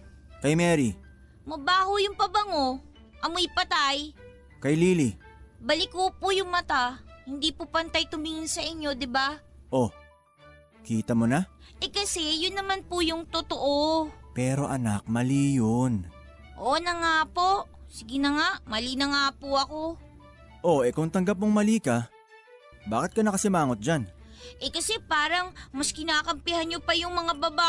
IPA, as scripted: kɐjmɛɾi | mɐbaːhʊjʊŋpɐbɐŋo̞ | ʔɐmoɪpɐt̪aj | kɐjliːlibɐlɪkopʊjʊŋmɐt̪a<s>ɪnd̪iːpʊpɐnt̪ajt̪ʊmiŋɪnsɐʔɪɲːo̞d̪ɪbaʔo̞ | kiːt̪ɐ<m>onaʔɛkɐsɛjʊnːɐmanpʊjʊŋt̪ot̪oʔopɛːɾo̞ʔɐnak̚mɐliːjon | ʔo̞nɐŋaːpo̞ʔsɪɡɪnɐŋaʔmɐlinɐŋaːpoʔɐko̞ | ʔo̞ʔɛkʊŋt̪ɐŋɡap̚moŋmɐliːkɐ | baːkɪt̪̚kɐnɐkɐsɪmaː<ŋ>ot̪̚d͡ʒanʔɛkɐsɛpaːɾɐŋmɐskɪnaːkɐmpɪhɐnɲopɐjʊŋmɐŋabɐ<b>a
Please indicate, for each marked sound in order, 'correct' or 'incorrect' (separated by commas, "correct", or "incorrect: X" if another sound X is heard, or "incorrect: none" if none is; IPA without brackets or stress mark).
incorrect: h, correct, correct, correct